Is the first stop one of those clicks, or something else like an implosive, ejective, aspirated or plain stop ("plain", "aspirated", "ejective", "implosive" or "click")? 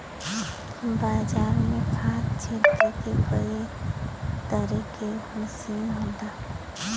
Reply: plain